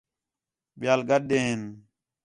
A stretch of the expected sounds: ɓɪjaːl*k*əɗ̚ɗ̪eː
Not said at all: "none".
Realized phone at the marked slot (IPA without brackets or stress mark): ɡ